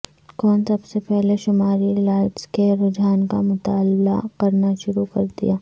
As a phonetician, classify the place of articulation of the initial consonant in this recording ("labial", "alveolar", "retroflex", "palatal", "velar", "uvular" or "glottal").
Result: velar